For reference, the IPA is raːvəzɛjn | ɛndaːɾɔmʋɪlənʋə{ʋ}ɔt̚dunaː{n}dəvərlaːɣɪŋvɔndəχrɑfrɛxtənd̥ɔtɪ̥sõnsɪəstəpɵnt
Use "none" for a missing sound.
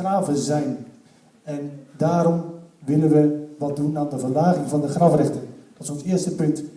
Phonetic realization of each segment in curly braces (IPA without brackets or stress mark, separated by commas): ʋ, n